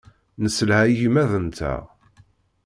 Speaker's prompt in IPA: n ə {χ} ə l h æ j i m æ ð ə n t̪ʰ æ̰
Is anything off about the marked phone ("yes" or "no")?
yes